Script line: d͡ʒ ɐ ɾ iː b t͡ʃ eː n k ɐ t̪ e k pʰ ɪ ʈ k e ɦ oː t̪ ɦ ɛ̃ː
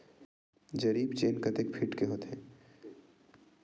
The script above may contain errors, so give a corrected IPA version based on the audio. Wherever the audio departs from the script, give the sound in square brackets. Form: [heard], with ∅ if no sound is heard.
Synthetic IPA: d͡ʒ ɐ ɾ iː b t͡ʃ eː n k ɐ t̪ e k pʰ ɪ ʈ k e ɦ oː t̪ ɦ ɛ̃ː